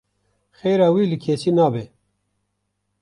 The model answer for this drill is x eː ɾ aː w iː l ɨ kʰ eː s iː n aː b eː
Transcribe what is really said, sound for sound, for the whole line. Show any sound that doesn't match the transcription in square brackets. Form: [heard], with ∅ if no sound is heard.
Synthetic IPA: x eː ɾ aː w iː l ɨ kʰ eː s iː n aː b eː